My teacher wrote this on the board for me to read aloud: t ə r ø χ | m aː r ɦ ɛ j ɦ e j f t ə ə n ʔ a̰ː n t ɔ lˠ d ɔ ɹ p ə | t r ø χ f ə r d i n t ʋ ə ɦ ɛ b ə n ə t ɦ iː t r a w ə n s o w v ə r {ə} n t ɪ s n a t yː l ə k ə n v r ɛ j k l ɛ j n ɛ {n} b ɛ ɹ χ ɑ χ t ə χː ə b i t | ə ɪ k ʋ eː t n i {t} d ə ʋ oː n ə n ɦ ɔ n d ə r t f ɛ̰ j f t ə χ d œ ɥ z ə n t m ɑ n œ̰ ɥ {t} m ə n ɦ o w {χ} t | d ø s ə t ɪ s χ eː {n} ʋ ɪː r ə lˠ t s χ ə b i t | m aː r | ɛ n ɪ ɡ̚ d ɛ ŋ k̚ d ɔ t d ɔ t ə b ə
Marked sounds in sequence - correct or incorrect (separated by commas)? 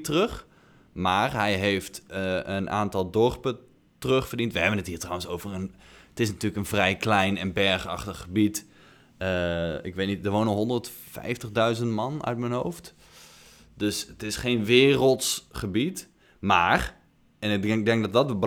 correct, correct, correct, correct, incorrect, correct